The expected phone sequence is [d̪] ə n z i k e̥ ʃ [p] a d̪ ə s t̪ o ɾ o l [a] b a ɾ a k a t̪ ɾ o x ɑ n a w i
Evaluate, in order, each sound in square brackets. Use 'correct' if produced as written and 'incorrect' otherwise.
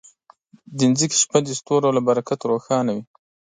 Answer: correct, correct, correct

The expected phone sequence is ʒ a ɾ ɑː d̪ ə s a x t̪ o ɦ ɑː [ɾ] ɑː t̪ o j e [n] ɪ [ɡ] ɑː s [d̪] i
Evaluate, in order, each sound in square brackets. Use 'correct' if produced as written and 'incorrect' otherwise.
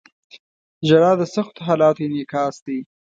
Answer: incorrect, correct, incorrect, correct

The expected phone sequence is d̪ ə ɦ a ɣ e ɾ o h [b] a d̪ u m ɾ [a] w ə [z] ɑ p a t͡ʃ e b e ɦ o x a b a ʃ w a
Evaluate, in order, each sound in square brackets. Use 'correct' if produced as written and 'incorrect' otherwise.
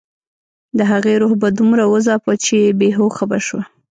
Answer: correct, correct, correct

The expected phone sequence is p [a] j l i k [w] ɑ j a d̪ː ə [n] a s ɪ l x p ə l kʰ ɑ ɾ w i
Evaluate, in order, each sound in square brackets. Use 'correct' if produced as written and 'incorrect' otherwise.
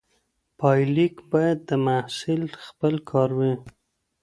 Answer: incorrect, incorrect, incorrect

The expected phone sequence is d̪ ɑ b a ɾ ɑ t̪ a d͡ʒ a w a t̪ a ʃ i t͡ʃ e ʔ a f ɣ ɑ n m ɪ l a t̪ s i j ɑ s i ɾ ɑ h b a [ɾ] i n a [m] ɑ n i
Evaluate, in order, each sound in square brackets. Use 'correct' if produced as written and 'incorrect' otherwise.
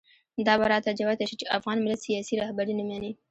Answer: correct, correct

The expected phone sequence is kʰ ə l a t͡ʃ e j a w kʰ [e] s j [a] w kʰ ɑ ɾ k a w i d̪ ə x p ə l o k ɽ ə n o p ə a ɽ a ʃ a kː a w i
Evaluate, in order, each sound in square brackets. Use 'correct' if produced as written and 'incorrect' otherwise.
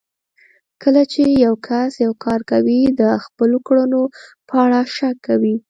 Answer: incorrect, correct

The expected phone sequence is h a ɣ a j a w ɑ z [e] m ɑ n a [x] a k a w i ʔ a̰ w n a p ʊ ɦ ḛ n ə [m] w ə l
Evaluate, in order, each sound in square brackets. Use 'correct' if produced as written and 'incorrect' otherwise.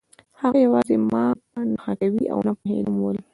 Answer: correct, correct, correct

